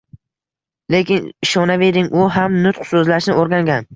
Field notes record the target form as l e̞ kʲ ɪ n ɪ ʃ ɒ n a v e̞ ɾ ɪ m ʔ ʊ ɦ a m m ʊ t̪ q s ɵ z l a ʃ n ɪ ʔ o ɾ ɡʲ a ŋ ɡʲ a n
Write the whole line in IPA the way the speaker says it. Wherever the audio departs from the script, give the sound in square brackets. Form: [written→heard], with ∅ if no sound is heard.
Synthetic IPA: l e̞ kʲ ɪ n ɪ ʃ ɒ n a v e̞ ɾ ɪ [m→ŋ] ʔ ʊ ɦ a m [m→n] ʊ t̪ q s ɵ z l a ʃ n ɪ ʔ o ɾ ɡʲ a ŋ ɡʲ a n